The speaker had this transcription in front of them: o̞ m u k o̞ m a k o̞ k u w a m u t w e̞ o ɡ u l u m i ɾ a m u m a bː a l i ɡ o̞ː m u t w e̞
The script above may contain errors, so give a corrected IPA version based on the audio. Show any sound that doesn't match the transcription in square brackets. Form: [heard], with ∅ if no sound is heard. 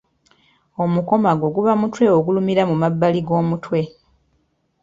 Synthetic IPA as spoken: o̞ m u k o̞ m a [ɡ] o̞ [ɡ] u [β] a m u t w e̞ o ɡ u l u m i ɾ a m u m a bː a l i ɡ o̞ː m u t w e̞